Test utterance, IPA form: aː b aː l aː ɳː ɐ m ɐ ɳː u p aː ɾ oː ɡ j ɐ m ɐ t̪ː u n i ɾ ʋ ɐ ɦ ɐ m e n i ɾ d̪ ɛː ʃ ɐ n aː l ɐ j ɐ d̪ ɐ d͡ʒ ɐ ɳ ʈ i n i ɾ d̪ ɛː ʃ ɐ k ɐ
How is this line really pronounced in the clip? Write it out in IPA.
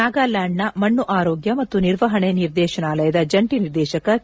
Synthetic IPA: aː ɡ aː l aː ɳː ɐ m ɐ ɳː u ʔ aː ɾ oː ɡ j ɐ m ɐ t̪ː u n i ɾ ʋ ɐ ɦ ɐ ɳ e n i ɾ d̪ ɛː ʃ ɐ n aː l ɐ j ɐ d̪ ɐ d͡ʒ ɐ ɳ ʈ i n i ɾ d̪ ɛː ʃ ɐ k ɐ